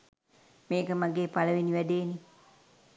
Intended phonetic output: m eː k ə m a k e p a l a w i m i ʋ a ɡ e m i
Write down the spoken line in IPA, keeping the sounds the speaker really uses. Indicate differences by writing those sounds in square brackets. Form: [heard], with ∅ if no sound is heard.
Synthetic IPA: m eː k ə m a [ɡ] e p a l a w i [n] i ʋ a [d] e [n] i